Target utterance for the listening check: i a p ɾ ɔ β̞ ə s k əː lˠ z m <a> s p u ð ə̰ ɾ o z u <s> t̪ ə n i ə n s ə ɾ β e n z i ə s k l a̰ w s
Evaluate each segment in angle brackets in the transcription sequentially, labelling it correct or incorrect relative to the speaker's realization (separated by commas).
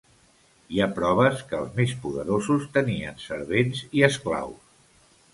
incorrect, correct